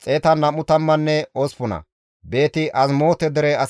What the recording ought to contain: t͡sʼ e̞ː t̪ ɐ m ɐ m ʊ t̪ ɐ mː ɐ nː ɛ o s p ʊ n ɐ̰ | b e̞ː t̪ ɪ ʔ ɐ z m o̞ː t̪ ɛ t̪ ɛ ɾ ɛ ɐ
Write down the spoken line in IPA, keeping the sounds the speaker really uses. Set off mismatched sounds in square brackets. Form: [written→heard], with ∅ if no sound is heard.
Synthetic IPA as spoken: t͡sʼ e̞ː t̪ ɐ [m→n] ɐ m ʊ t̪ ɐ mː ɐ nː ɛ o s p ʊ n ɐ̰ | b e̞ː t̪ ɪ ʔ ɐ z m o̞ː t̪ ɛ [t̪→d̪] ɛ ɾ ɛ ɐ